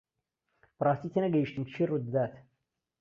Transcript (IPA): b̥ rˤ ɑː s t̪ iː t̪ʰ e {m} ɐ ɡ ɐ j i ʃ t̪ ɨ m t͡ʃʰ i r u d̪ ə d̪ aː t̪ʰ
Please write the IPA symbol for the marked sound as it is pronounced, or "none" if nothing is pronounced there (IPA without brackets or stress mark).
n